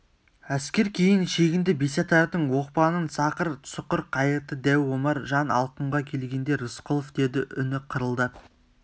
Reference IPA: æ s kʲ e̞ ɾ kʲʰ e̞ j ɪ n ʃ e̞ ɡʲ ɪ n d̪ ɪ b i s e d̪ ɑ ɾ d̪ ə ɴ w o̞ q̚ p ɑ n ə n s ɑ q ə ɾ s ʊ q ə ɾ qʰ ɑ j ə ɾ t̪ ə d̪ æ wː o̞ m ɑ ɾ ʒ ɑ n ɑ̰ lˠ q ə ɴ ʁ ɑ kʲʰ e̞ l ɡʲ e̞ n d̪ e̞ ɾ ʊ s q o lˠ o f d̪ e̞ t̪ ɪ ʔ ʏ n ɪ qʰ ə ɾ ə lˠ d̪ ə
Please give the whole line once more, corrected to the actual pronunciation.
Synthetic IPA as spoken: æ s kʲ e̞ ɾ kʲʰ e̞ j ɪ n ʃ e̞ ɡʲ ɪ n d̪ ɪ b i s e t̪ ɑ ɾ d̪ ə ɴ w o̞ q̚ p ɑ n ə n s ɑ q ə ɾ s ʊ q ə ɾ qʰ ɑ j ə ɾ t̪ ə d̪ æ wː o̞ m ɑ ɾ ʒ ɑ n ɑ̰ lˠ q ə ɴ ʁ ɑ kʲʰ e̞ l ɡʲ e̞ n d̪ e̞ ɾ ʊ s q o lˠ o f d̪ e̞ d̪ ɪ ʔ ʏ n ɪ qʰ ə ɾ ə lˠ d̪ ə